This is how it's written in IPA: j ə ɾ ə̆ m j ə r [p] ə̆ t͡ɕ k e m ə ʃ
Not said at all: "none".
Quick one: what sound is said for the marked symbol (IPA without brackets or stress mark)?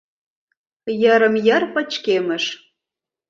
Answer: p